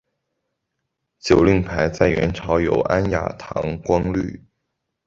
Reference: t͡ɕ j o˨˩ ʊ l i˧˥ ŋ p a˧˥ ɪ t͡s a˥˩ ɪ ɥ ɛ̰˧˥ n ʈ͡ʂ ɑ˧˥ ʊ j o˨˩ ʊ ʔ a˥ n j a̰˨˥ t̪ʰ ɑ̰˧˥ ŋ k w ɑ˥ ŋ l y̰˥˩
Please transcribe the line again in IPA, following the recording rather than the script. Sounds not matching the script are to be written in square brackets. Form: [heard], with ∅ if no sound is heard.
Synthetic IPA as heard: t͡ɕ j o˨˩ ʊ l [i˥˩] ŋ [pʰ] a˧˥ ɪ t͡s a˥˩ ɪ ɥ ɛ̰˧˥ n [ʈ͡ʂʰ] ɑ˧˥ ʊ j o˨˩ ʊ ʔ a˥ n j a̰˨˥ t̪ʰ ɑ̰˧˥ ŋ k w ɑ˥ ŋ l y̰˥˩